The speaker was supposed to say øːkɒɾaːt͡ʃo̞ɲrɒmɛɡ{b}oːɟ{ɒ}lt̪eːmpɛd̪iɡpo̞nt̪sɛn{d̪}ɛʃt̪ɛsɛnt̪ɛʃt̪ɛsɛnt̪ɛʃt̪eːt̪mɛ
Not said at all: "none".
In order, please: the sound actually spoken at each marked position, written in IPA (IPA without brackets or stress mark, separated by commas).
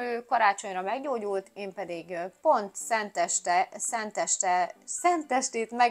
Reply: ɟ, u, t̪